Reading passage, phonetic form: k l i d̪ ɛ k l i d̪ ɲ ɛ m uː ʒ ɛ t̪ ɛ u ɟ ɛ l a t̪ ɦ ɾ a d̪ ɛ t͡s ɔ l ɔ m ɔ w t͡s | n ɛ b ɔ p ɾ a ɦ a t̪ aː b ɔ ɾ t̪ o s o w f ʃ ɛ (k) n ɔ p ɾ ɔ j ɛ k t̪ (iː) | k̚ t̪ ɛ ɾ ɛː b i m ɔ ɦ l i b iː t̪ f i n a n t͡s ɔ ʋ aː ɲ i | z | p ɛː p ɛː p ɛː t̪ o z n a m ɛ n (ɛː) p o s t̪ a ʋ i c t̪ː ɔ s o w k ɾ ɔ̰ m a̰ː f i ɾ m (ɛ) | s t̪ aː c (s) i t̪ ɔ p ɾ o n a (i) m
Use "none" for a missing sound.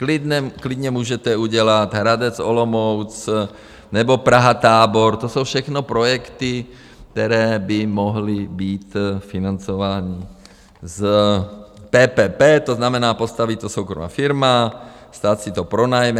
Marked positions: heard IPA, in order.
x, i, aː, a, s, j

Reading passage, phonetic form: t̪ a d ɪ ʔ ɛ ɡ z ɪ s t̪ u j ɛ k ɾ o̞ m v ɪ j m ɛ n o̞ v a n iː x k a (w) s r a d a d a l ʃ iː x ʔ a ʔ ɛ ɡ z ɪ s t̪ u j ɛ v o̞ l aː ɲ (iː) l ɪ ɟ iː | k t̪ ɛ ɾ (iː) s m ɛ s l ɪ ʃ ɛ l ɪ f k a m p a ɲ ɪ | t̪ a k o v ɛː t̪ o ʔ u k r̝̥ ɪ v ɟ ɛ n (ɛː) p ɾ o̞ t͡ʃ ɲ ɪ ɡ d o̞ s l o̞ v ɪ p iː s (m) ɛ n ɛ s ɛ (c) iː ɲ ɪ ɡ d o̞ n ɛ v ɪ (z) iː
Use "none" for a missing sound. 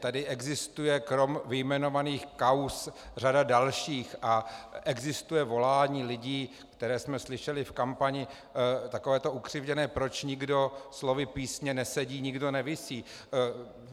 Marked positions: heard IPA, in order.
w, iː, ɛː, ɛː, ɲ, ɟ, s

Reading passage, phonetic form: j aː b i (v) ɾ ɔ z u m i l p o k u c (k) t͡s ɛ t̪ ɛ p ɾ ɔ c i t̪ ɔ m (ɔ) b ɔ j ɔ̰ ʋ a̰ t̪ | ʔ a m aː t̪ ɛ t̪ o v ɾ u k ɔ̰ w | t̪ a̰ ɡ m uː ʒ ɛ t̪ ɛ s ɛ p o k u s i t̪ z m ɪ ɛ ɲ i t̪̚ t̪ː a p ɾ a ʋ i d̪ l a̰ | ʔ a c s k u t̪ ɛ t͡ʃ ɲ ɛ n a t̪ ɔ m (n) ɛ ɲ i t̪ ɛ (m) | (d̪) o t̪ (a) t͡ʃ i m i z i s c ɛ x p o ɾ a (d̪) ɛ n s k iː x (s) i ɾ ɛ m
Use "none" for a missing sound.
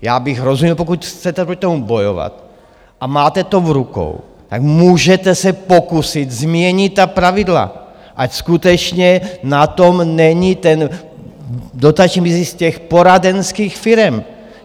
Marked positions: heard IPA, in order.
ɣ, x, u, n, n, d̪, a, d̪, f

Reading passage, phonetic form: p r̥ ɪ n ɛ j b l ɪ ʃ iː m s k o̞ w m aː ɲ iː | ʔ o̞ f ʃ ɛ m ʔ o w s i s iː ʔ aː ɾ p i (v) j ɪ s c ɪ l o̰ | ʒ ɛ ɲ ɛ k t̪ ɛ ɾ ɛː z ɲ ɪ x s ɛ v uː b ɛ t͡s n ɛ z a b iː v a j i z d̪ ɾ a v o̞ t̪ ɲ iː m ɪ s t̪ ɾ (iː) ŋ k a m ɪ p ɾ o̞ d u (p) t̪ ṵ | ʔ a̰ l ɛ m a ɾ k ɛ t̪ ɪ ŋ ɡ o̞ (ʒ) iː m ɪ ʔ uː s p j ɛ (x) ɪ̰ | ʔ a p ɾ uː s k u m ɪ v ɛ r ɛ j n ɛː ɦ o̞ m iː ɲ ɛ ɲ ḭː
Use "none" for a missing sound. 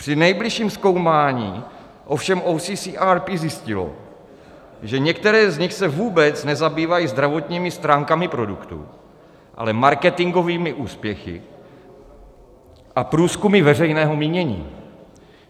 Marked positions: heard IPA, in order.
z, aː, k, v, x

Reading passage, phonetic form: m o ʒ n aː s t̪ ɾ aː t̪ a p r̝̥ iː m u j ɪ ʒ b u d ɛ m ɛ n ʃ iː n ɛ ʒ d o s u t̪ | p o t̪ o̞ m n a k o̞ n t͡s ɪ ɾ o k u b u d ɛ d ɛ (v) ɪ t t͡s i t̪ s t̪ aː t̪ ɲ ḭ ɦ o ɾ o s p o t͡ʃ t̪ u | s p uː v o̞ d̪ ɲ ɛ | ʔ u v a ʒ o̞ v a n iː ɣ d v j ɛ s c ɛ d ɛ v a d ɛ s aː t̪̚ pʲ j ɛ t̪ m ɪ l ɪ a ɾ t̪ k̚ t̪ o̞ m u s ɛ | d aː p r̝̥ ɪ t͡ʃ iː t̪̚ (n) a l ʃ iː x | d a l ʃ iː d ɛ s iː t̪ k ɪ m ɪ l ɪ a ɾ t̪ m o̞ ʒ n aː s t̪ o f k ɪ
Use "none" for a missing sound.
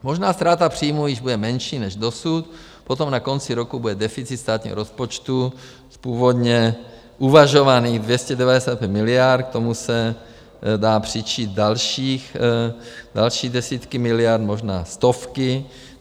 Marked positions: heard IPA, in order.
f, d

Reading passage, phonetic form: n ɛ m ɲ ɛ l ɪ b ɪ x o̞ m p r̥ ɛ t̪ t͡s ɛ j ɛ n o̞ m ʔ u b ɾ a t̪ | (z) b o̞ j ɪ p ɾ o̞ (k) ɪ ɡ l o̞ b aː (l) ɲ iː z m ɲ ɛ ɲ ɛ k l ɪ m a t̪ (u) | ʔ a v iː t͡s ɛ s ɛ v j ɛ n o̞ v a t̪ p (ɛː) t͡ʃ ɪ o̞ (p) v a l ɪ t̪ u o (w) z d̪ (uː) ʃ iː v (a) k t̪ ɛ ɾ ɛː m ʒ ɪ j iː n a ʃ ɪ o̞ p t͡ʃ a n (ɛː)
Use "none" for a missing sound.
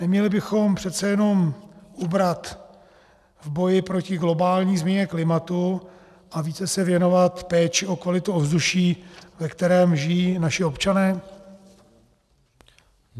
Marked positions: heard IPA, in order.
v, c, l, u, ɛː, k, v, u, ɛ, ɛː

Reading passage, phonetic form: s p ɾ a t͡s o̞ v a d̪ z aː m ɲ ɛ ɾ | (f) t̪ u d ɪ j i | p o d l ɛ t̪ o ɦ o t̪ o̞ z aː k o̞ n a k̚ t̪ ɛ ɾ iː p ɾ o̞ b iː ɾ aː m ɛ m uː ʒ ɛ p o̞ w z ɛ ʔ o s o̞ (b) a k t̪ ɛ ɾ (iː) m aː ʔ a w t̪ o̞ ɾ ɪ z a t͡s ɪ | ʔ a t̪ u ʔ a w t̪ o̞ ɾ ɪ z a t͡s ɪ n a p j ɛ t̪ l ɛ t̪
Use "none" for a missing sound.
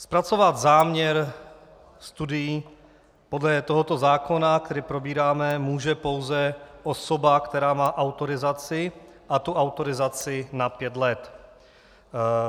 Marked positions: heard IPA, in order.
s, b, aː

